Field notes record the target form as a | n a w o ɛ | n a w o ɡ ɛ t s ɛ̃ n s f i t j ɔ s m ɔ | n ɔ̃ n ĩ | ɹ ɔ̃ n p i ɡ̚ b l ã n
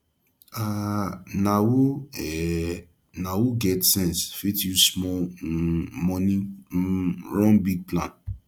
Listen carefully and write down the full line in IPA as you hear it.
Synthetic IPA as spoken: a | n a w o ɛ | n a w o ɡ ɛ t s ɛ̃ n s f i t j u s m ɔ | m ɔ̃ n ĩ | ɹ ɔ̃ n b i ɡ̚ p l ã n